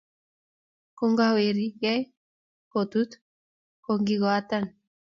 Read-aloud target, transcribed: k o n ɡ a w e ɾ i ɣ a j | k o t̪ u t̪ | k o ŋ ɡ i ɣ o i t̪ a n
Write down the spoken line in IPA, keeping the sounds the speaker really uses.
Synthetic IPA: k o ŋ ɡ a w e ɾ i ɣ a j | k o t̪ u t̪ | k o ŋ ɡ i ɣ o a t̪ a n